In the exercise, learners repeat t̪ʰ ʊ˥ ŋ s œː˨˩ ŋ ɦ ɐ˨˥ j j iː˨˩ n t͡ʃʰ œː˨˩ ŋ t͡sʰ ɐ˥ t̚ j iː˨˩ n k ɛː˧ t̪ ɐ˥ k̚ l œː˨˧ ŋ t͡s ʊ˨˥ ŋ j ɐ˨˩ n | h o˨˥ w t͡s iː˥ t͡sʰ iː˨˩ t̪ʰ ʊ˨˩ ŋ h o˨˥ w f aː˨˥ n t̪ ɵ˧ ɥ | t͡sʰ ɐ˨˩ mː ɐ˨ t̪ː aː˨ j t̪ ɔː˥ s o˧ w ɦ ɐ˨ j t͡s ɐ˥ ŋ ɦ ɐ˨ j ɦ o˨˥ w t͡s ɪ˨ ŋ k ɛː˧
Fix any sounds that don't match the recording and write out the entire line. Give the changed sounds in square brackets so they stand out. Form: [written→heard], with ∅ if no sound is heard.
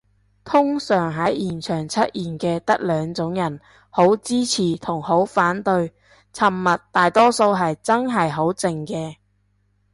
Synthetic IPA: t̪ʰ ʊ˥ ŋ s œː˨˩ ŋ ɦ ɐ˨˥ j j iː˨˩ n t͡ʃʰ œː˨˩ ŋ t͡sʰ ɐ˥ t̚ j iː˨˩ n k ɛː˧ t̪ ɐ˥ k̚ l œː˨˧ ŋ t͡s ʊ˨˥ ŋ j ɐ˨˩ n | h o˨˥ w t͡s iː˥ t͡sʰ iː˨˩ t̪ʰ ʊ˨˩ ŋ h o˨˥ w f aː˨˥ n t̪ ɵ˧ ɥ | t͡sʰ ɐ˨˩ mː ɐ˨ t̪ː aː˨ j t̪ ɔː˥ s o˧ w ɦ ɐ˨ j t͡s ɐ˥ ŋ ɦ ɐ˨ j ɦ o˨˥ w t͡s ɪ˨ ŋ k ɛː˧